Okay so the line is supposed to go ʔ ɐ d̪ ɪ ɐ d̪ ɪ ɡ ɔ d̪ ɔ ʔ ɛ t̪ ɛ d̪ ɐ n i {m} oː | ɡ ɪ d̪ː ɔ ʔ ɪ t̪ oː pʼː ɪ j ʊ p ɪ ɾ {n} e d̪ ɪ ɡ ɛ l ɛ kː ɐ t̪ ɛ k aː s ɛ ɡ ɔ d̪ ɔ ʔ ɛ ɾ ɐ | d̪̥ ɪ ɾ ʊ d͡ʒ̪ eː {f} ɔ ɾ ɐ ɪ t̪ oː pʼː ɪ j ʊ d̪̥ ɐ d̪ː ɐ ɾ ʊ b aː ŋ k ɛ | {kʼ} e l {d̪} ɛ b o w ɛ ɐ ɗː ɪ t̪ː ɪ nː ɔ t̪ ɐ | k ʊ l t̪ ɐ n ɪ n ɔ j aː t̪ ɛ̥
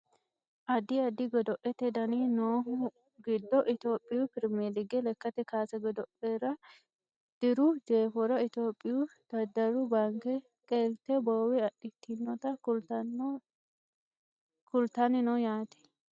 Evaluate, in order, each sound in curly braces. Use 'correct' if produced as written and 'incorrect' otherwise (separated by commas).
incorrect, incorrect, correct, correct, incorrect